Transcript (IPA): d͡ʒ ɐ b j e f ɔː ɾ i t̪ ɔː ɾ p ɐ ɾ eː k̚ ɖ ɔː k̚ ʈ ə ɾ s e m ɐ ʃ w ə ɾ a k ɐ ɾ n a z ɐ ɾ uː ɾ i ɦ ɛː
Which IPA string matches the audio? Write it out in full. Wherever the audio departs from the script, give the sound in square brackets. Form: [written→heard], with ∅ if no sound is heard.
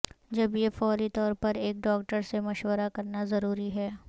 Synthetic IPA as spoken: d͡ʒ ɐ b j e f ɔː ɾ i t̪ ɔː ɾ p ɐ ɾ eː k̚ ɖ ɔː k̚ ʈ ə ɾ s e m ɐ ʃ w ə ɾ a k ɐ ɾ n a z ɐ ɾ uː ɾ i ɦ ɛː